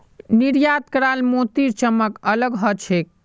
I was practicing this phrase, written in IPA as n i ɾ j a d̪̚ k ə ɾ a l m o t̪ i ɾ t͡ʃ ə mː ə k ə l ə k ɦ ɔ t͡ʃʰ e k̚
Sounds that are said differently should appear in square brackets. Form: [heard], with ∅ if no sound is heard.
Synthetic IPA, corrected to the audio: n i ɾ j a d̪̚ k ə ɾ a l m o t̪ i ɾ t͡ʃ ə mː ə k ə l ə [ɡ] ɦ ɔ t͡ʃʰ e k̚